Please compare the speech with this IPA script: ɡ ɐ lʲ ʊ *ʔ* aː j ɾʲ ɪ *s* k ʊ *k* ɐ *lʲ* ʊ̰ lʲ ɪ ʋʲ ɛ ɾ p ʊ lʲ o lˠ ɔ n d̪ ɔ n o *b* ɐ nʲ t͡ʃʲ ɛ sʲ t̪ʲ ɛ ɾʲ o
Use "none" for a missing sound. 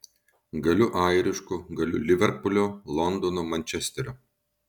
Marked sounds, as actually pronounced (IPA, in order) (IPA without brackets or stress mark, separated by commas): ʔ, ʃ, ɡ, lʲ, m